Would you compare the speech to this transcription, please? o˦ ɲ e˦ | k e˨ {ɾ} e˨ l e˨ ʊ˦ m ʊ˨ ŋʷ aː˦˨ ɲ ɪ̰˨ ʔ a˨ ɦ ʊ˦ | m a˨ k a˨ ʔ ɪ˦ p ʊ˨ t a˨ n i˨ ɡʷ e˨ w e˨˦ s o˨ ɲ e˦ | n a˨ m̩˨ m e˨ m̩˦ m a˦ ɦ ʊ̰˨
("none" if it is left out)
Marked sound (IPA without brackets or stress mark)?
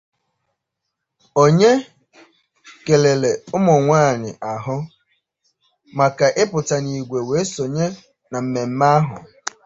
l